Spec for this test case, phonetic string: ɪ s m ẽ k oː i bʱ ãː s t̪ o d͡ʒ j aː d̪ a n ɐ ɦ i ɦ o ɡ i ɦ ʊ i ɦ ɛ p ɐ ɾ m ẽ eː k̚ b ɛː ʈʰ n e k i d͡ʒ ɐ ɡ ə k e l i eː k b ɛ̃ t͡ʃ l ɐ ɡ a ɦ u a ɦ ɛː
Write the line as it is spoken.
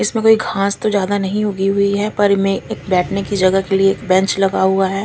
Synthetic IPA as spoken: ɪ s m ẽ k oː i ɡʱ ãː s t̪ o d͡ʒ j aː d̪ a n ɐ ɦ ĩ ɦ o ɡ i ɦ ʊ i ɦ ɛ p ɐ ɾ m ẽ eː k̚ b ɛː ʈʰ n e k i d͡ʒ ɐ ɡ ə k e l i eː k b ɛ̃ t͡ʃ l ɐ ɡ a ɦ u a ɦ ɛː

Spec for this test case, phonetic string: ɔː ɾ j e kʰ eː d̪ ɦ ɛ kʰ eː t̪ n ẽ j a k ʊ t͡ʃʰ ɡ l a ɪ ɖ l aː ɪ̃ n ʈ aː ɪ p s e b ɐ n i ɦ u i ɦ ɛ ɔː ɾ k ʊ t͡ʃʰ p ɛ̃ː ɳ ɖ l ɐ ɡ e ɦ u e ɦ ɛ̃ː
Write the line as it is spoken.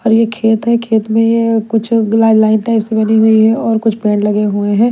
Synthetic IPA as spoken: ɔː ɾ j e kʰ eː t̪ ɦ ɛ kʰ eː t̪ m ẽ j e k ʊ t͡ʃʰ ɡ l a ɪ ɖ l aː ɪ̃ n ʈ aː ɪ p s e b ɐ n i ɦ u i ɦ ɛ ɔː ɾ k ʊ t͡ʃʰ p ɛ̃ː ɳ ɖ l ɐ ɡ e ɦ u e ɦ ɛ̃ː

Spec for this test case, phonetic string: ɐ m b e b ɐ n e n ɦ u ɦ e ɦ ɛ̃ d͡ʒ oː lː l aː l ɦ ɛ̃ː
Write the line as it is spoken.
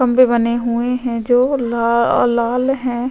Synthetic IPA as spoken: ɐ m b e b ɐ n e ɦ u e ɦ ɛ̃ d͡ʒ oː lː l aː l ɦ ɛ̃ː

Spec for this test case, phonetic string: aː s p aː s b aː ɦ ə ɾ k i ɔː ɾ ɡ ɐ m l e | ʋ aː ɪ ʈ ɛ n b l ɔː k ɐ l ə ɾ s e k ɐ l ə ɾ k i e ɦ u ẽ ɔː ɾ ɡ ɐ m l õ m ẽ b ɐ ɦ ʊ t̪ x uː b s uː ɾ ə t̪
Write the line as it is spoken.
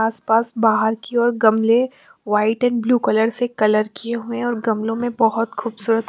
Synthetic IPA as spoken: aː s p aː s b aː ɦ ə ɾ k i ɔː ɾ ɡ ɐ m l e | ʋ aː ɪ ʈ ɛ n b l uː k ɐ l ə ɾ s e k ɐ l ə ɾ k i e ɦ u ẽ ɔː ɾ ɡ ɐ m l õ m ẽ b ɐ ɦ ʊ t̪ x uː b s uː ɾ ə t̪

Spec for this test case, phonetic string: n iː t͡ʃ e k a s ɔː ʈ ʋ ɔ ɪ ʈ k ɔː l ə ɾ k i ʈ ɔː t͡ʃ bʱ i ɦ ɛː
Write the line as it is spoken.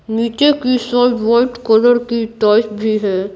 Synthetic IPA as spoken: n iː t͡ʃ e k i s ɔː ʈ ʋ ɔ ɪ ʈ k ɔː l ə ɾ k i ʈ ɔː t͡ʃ bʱ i ɦ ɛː

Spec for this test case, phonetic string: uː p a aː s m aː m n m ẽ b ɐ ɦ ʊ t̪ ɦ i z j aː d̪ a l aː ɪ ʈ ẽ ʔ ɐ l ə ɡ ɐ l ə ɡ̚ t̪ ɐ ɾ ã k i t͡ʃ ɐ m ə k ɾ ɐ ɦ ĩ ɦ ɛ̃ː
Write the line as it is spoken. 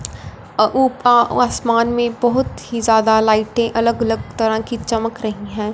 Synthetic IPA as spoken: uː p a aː s m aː n m ẽ b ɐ ɦ ʊ t̪ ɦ i z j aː d̪ a l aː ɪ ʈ ẽ ʔ ɐ l ə ɡ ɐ l ə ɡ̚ t̪ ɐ ɾ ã k i t͡ʃ ɐ m ə k ɾ ɐ ɦ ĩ ɦ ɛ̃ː

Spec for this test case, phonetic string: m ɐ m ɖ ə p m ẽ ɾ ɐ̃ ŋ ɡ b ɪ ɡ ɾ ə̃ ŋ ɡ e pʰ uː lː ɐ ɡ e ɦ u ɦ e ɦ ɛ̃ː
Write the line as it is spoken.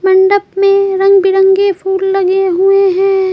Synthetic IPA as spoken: m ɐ ɳ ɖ ə p m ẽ ɾ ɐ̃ ŋ ɡ b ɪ ɾ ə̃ ŋ ɡ e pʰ uː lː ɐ ɡ e ɦ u e ɦ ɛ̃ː

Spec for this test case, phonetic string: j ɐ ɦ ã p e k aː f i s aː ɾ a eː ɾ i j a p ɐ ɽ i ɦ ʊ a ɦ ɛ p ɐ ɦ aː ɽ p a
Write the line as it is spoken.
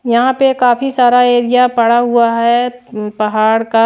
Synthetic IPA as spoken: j ɐ ɦ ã p e k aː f i s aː ɾ a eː ɾ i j a p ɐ ɽ a ɦ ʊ a ɦ ɛ p ɐ ɦ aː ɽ k a

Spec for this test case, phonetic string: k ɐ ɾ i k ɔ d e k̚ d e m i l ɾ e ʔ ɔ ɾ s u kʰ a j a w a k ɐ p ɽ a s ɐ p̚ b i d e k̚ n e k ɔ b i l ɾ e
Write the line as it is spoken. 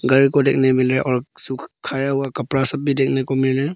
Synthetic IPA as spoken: ɡ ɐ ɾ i k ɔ d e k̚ n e m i l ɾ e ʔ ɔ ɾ s u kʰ a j a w a k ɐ p ɾ a s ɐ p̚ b i d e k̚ n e k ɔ m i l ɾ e

